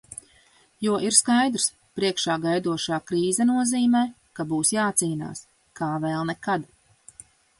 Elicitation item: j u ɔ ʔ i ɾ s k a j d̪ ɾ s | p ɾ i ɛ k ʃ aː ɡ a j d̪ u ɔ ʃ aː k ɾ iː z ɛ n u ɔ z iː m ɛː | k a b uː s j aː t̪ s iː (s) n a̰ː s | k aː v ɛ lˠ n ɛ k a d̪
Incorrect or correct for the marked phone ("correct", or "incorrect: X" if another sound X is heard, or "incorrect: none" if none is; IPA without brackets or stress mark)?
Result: incorrect: none